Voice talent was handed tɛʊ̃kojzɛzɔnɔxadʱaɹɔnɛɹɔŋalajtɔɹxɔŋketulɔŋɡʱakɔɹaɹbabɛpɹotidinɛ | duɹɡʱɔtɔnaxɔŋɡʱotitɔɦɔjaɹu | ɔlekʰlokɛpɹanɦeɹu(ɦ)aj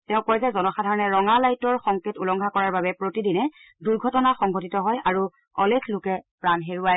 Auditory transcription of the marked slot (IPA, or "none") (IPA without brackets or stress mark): none